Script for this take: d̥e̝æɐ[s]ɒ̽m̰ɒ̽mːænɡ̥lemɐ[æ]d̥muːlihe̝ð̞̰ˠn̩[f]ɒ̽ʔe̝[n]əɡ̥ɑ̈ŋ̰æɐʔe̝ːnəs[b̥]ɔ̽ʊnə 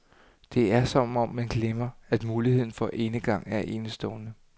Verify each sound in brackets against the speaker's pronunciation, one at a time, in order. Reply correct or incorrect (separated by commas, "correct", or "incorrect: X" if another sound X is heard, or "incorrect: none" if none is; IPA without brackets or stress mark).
correct, correct, correct, correct, incorrect: d̥